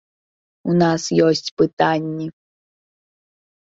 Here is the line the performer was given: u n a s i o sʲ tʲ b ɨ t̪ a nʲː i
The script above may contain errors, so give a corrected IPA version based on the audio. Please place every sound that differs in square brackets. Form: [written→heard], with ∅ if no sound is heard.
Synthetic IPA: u n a s [i→j] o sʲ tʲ [b→p] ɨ t̪ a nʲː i